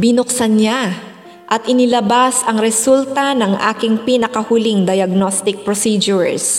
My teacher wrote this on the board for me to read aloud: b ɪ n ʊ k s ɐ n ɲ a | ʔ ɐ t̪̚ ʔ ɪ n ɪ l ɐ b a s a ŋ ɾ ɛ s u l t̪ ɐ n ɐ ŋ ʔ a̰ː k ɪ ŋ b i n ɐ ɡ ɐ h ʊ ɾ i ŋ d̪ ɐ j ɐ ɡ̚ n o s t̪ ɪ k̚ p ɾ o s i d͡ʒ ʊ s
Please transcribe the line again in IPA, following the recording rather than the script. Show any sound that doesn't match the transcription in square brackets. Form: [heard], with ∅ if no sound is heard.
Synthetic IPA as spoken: b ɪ n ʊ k s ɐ n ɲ a | ʔ ɐ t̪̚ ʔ ɪ n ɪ l ɐ b a s [ɐ] ŋ ɾ ɛ s u l t̪ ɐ n ɐ ŋ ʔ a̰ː k ɪ ŋ [p] i n ɐ [k] ɐ h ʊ [l] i ŋ d̪ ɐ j ɐ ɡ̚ n o s t̪ ɪ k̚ p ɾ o s i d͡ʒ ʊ s